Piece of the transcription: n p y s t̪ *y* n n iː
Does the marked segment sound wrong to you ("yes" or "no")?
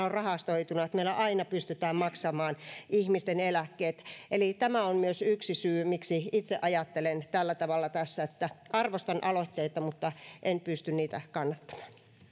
no